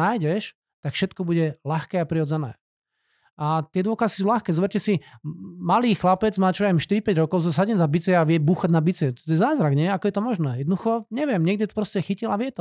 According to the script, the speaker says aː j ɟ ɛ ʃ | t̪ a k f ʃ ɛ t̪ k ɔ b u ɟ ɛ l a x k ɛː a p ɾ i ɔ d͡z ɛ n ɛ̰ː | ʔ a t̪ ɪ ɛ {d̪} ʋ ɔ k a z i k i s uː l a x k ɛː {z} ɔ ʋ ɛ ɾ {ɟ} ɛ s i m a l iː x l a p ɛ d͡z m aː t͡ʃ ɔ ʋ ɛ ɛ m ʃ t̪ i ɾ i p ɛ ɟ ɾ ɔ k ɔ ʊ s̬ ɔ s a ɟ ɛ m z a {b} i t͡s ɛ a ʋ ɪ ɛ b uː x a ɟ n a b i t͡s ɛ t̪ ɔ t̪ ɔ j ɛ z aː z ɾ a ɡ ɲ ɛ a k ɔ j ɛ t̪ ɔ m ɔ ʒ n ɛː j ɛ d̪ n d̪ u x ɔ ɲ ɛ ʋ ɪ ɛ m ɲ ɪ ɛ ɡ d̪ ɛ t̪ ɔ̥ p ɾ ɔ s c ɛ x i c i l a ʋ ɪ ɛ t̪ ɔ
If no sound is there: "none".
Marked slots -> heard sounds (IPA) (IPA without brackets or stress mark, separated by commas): d̪, z, c, b